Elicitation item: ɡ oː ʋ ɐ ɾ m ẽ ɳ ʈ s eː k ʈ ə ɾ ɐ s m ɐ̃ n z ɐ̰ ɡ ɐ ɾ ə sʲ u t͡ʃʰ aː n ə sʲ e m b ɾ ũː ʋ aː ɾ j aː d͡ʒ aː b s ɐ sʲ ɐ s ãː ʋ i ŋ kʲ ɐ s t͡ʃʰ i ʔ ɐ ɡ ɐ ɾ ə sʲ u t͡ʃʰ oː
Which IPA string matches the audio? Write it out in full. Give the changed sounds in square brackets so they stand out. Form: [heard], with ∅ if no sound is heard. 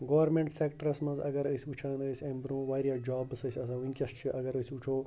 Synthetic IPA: ɡ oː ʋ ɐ ɾ m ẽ ɳ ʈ s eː k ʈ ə ɾ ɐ s m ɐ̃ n z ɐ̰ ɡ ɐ ɾ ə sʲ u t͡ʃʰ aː n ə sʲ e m b ɾ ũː ʋ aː ɾ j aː d͡ʒ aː b s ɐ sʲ ɐ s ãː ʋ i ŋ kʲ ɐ s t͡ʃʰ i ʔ ɐ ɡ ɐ ɾ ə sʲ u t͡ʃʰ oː